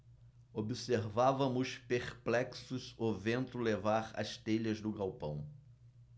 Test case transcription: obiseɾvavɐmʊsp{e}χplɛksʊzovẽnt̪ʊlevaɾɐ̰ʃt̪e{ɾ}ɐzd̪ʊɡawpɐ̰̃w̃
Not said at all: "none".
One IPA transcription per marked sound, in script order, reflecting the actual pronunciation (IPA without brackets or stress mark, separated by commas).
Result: e, ʎ